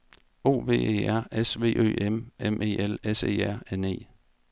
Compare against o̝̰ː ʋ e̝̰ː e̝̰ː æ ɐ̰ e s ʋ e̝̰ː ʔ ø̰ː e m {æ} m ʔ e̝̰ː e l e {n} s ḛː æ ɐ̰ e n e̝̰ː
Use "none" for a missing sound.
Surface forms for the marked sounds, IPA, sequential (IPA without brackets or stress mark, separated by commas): e, none